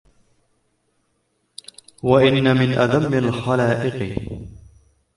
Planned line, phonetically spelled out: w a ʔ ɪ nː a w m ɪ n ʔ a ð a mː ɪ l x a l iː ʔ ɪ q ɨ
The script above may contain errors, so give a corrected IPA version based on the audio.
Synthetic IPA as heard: w a ʔ ɪ nː a m ɪ n ʔ a ð a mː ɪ l x a l aː ʔ ɪ q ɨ